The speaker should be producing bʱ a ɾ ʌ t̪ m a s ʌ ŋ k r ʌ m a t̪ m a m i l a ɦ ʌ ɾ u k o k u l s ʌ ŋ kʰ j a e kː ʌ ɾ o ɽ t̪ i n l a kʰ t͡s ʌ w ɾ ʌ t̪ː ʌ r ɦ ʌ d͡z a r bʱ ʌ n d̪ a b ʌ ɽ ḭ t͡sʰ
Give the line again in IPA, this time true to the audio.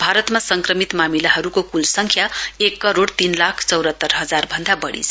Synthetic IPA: bʱ a ɾ ʌ t̪ m a s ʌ ŋ k r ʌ m i t̪ m a m i l a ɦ ʌ ɾ u k o k u l s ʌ ŋ kʰ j a e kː ʌ ɾ o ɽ t̪ i n l a kʰ t͡s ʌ w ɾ ʌ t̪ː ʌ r ɦ ʌ d͡z a r bʱ ʌ n d̪ a b ʌ ɽ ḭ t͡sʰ